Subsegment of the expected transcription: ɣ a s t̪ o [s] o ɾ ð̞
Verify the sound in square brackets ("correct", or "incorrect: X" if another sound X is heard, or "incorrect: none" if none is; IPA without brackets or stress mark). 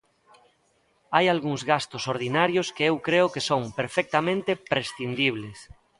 correct